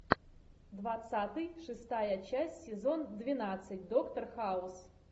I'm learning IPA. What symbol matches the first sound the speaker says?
d̪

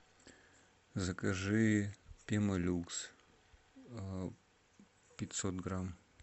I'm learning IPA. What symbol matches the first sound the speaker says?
z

